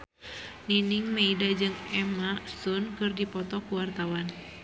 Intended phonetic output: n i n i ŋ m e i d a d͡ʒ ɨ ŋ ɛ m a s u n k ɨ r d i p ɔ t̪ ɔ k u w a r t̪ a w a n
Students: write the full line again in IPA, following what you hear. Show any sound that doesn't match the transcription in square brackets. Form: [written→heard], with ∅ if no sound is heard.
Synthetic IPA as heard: n i n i ŋ m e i d a d͡ʒ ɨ ŋ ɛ m a s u n k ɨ r d i p ɔ t̪ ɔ k u w a r t̪ a w a n

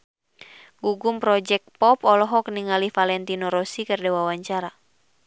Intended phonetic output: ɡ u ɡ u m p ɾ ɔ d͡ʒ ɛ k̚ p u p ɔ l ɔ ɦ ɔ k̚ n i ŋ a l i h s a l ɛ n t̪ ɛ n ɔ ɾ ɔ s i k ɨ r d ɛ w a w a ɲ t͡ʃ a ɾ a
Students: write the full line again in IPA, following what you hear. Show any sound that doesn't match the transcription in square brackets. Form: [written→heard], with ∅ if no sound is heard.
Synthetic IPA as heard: ɡ u ɡ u m p ɾ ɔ d͡ʒ ɛ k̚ p [u→ɔ] p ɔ l ɔ ɦ ɔ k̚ n i ŋ a l i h [s→f] a l ɛ n t̪ [ɛ→i] n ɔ ɾ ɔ s i k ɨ r d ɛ w a w a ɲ t͡ʃ a ɾ a

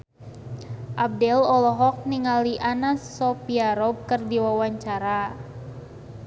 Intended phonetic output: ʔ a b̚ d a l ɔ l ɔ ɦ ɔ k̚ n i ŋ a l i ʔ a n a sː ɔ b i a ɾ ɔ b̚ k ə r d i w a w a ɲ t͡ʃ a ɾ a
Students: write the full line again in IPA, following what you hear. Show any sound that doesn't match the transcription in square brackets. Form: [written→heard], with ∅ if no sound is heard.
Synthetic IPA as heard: ʔ a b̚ d [a→ɛ] l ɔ l ɔ ɦ ɔ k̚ n i ŋ a l i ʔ a n a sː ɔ [b→p] i a ɾ ɔ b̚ k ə r d i w a w a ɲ t͡ʃ a ɾ a

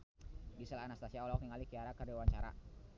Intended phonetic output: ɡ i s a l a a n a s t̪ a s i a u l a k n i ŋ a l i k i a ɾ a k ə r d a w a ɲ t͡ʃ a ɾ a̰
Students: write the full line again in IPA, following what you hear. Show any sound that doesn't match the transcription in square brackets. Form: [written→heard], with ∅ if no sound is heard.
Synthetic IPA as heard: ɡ i s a l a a n a s t̪ a s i a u l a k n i ŋ a l i k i a ɾ a k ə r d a w a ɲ t͡ʃ a ɾ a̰

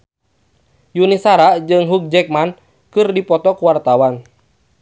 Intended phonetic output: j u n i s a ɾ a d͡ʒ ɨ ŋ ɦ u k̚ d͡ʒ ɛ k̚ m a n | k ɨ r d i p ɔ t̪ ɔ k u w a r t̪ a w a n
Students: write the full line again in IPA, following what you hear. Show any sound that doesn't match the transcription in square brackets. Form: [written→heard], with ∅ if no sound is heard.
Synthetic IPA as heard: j u n i s a ɾ a d͡ʒ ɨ ŋ ɦ u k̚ d͡ʒ ɛ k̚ m a n | k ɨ r d i p ɔ t̪ ɔ k u w a r t̪ a w a n

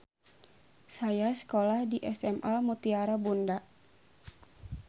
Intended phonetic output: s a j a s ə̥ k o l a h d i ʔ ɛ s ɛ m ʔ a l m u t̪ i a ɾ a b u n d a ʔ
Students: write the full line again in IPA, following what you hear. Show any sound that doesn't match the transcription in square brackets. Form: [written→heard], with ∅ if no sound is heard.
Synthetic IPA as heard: s a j a s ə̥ k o l a h d i ʔ ɛ s ɛ m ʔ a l m u t̪ i a ɾ a b u n d a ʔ

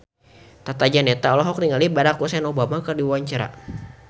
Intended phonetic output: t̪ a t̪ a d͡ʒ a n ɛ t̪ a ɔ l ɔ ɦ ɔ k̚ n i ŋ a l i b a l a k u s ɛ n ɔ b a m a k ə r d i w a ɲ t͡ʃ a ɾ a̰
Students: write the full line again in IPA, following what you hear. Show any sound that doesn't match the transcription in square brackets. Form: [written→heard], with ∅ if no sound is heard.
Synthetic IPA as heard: t̪ a t̪ a d͡ʒ a n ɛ t̪ a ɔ l ɔ ɦ ɔ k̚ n i ŋ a l i b a [l→ɾ] a k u s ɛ n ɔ b a m a k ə r d i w a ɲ t͡ʃ a ɾ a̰

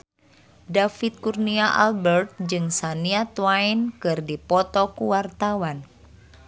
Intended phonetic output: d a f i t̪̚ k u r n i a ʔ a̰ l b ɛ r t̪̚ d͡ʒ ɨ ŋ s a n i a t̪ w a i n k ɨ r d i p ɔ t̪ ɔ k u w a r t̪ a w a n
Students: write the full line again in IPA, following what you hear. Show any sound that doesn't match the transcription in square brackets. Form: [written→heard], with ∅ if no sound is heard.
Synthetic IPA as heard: d a f i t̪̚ k u r n i a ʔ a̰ l b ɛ r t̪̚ d͡ʒ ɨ ŋ s a n i a t̪ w a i n k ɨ r d i p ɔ t̪ ɔ k u w a r t̪ a w a n

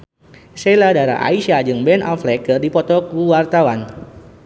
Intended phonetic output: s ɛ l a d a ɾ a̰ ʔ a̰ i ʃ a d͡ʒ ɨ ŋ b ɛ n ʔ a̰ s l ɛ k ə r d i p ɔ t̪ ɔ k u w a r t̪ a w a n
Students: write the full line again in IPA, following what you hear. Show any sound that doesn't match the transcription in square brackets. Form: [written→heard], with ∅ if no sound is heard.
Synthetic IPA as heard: s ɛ l a d a ɾ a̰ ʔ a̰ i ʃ a d͡ʒ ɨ ŋ b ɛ n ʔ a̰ [s→f] l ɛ k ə r d i p ɔ t̪ ɔ k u w a r t̪ a w a n

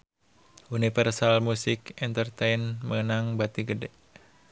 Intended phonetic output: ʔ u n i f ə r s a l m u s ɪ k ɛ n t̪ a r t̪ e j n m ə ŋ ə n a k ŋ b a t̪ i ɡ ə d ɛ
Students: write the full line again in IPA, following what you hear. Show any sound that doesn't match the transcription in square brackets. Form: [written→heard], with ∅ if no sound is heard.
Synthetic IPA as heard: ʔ u n i f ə r s a l m u s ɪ k ɛ n t̪ [a→ə] r t̪ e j n m ə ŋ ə n a [k→∅] ŋ b a t̪ i ɡ ə d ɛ

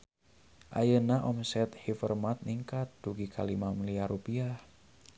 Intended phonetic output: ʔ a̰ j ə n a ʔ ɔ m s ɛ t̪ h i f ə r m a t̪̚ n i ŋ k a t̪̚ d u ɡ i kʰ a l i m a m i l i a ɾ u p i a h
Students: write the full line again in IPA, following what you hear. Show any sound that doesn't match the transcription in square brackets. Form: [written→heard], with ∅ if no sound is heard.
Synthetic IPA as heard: ʔ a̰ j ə n a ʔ ɔ m s ɛ t̪ h i f ə r m a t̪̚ n i ŋ k a t̪̚ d u ɡ i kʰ a l i m a m i l i a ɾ u p i a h

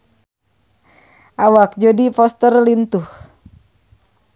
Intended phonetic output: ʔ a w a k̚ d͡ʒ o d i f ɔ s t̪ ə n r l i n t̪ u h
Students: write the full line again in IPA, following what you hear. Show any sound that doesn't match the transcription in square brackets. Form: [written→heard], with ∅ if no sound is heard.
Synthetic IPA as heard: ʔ a w a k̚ d͡ʒ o d i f ɔ s t̪ ə [n→∅] r l i n t̪ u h

